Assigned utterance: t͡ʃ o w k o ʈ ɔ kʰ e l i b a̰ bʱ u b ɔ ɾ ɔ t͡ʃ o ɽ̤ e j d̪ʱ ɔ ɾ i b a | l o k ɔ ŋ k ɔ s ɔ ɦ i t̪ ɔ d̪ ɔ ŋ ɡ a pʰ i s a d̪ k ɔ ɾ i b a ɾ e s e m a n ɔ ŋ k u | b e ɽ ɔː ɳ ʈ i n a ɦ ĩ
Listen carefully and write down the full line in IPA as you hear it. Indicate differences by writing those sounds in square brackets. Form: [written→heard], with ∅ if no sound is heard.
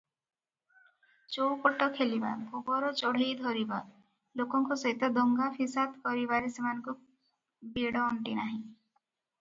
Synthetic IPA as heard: t͡ʃ o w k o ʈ ɔ kʰ e l i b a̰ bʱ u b ɔ ɾ ɔ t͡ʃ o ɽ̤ e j d̪ʱ ɔ ɾ i b a | l o k ɔ ŋ k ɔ s ɔ ɦ i t̪ ɔ d̪ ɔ ŋ ɡ a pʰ i s a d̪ k ɔ ɾ i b a ɾ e s e m a n ɔ ŋ k u | b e ɽ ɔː ɳ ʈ i n a ɦ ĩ